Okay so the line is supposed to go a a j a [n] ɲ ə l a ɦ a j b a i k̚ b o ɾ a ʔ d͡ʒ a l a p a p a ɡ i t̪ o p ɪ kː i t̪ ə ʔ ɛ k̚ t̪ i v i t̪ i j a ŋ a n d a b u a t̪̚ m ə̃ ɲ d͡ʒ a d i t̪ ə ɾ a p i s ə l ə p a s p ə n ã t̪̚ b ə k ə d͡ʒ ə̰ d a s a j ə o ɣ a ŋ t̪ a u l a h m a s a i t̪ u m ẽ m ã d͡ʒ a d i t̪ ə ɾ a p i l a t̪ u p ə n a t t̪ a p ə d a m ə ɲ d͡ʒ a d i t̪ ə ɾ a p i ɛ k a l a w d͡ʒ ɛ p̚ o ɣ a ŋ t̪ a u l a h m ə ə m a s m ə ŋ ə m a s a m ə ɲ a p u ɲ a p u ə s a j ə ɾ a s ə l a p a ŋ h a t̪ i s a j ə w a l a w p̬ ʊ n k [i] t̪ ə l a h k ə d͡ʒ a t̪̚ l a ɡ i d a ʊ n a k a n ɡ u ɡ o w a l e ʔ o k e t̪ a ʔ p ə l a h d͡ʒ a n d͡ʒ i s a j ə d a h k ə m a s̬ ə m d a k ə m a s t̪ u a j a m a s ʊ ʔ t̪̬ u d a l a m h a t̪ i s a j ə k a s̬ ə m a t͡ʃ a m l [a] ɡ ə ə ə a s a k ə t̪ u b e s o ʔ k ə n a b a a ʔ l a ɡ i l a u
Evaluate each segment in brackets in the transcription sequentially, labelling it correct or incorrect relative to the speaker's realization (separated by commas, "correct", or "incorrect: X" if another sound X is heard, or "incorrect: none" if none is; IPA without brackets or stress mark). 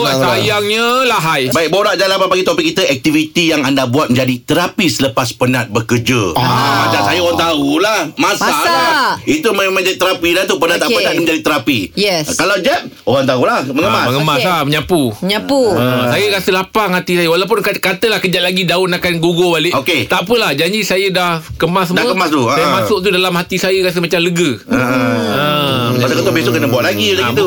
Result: incorrect: ŋ, incorrect: a, incorrect: ə